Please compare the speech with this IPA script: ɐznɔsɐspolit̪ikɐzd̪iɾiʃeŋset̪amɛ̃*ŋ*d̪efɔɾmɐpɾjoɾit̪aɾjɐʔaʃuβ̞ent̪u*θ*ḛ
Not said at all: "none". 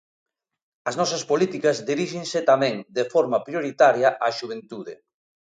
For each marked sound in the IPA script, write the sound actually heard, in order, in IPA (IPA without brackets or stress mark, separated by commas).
ŋ, ð